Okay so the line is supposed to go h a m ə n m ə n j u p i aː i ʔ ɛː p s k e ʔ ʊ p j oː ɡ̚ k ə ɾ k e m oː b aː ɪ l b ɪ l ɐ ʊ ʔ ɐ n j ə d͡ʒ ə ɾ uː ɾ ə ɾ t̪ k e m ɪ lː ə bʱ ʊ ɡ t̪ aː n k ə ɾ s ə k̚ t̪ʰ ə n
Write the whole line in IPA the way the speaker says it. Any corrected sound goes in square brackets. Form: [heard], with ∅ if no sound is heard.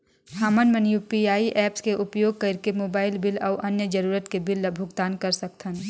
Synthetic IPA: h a m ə n m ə n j u p i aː i ʔ ɛː p s k e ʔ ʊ p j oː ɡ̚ k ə ɾ k e m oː b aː ɪ l b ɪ l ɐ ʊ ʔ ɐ n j ə d͡ʒ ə ɾ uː ɾ ə [∅] t̪ k e [b] ɪ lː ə bʱ ʊ ɡ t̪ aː n k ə ɾ s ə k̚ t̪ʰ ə n